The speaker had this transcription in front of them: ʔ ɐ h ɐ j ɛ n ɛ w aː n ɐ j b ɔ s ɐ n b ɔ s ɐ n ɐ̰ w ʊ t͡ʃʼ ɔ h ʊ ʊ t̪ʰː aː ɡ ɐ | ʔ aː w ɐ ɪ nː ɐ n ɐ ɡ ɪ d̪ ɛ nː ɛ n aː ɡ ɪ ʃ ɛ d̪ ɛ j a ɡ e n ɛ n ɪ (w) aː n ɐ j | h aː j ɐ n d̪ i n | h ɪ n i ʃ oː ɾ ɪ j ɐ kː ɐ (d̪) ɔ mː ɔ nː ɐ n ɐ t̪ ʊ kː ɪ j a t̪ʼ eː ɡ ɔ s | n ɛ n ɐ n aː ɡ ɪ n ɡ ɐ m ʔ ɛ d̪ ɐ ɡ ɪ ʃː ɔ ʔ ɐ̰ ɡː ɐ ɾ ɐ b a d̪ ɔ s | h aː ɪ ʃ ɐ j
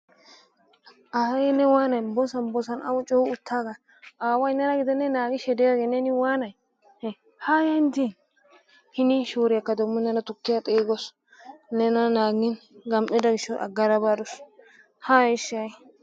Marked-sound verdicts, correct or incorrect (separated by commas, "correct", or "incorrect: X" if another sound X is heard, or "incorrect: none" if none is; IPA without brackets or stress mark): correct, correct